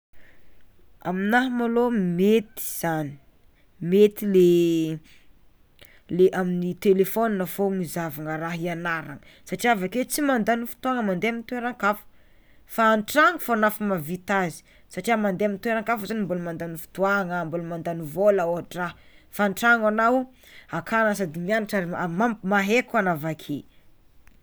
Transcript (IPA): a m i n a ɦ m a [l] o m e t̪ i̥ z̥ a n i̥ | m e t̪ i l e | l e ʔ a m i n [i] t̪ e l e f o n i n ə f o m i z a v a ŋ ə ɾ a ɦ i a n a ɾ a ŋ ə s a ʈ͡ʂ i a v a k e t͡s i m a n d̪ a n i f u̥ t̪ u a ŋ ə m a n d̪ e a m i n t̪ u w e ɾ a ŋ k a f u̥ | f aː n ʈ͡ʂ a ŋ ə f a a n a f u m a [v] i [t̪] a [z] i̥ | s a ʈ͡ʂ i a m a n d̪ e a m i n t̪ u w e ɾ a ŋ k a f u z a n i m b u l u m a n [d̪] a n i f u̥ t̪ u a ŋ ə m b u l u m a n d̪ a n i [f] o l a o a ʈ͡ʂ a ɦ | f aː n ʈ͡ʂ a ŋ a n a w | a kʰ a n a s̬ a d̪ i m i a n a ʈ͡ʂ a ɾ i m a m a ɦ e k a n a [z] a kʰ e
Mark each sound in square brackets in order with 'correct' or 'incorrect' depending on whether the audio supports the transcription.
correct, correct, correct, correct, correct, correct, incorrect, incorrect

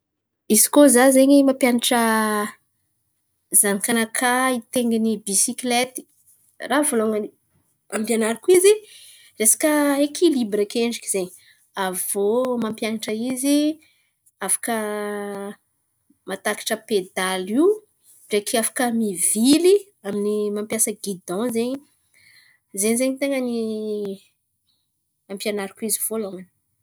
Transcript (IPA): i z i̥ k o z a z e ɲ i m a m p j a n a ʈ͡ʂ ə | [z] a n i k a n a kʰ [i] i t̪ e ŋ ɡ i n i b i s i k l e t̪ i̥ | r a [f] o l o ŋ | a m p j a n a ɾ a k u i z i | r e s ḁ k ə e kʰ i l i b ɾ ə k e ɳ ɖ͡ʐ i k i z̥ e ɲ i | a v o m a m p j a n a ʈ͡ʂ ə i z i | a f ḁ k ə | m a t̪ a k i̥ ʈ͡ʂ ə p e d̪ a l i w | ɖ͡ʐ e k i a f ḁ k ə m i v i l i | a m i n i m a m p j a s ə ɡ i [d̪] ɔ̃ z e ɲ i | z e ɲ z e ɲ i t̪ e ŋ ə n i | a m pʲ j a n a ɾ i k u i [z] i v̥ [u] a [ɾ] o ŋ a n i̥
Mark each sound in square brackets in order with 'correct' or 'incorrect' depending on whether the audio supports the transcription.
correct, incorrect, incorrect, correct, correct, incorrect, incorrect

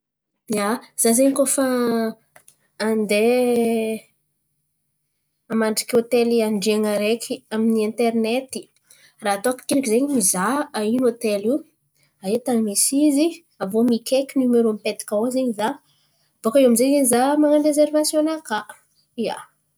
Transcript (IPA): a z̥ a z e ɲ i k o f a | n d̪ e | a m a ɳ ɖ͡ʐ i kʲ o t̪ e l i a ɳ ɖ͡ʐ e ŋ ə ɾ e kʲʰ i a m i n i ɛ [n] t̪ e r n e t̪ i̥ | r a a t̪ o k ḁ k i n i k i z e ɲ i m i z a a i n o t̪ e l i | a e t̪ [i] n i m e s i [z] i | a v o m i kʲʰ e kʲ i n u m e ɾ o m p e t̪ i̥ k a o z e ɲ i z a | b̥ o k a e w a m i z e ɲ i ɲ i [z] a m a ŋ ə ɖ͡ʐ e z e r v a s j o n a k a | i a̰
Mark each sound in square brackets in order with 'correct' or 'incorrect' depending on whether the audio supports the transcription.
correct, incorrect, correct, correct

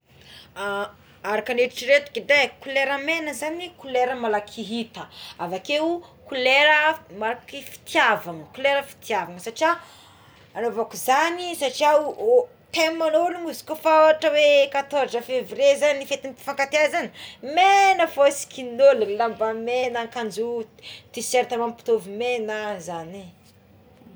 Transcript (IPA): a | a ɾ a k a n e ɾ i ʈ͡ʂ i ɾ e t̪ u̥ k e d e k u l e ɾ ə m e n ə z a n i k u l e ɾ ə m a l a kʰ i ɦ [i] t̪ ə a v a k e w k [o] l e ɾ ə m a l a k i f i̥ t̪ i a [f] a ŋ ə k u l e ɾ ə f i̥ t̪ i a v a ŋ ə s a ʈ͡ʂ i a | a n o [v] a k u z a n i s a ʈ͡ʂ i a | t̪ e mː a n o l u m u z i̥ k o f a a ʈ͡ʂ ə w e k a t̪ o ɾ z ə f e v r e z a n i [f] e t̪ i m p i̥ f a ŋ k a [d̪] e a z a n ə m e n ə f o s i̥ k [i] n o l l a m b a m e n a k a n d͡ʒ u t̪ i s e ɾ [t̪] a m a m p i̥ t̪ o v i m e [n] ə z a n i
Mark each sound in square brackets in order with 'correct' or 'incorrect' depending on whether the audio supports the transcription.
correct, incorrect, incorrect, correct, correct, incorrect, correct, correct, correct

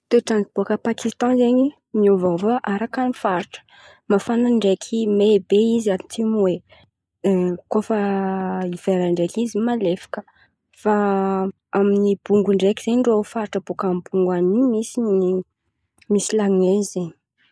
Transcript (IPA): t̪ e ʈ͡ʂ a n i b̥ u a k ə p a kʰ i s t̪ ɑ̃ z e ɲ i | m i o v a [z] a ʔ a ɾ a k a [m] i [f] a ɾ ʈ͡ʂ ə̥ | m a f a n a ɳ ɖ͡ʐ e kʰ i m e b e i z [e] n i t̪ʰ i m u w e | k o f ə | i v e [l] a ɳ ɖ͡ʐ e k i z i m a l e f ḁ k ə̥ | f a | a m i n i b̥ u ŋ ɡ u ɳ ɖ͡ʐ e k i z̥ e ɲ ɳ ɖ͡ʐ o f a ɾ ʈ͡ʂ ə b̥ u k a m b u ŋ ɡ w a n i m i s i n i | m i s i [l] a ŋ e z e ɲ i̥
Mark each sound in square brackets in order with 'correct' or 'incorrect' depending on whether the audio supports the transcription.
incorrect, incorrect, correct, incorrect, incorrect, correct

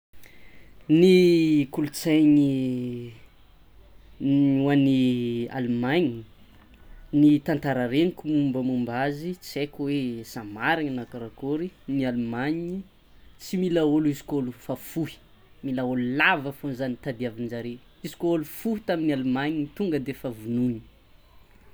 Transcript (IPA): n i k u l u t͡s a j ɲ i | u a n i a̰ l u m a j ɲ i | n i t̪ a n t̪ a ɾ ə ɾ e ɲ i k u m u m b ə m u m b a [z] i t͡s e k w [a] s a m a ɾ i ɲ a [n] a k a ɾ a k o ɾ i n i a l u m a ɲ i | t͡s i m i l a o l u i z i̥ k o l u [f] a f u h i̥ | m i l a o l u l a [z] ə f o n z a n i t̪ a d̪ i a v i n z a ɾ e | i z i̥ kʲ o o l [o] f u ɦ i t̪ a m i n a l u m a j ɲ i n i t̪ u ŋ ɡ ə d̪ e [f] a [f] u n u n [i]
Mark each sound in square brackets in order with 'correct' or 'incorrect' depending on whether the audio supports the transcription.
correct, incorrect, correct, correct, incorrect, incorrect, correct, incorrect, correct

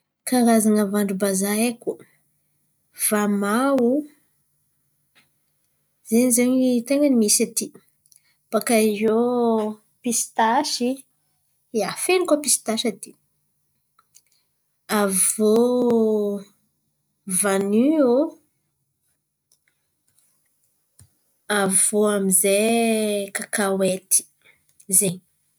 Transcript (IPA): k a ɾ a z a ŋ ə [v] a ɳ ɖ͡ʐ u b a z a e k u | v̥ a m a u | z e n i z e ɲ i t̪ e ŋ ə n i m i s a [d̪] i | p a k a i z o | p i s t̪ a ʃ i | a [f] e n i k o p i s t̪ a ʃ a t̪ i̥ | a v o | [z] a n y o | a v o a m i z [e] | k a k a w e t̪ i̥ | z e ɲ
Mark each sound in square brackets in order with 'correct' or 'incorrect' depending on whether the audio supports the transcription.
correct, incorrect, correct, incorrect, correct

